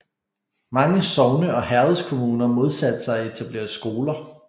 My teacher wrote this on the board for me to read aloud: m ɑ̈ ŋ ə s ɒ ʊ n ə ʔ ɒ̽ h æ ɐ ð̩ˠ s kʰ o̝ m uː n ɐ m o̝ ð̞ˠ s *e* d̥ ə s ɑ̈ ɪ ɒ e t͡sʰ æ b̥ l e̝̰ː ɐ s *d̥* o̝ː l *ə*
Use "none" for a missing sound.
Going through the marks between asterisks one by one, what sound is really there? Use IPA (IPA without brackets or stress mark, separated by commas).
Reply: æ, ɡ̥, ɐ